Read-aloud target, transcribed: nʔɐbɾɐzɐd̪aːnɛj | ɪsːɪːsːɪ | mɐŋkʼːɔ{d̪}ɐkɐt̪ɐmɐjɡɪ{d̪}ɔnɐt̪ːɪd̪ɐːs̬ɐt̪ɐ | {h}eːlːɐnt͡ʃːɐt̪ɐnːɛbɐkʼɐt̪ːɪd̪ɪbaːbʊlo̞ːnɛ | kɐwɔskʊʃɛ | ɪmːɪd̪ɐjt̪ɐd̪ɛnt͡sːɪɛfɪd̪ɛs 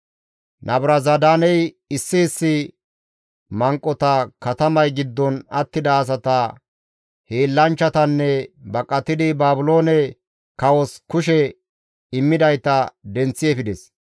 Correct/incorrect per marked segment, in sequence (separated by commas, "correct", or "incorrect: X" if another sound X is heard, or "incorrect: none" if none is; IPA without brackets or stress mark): incorrect: t̪, incorrect: d̪ː, correct